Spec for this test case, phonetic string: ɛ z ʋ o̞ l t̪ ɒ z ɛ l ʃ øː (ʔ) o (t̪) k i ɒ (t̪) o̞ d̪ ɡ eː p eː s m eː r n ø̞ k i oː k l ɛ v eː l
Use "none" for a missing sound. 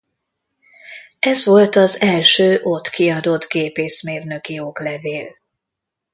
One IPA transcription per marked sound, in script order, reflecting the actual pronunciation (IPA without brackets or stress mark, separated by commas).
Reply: ʔ, t̪, d̪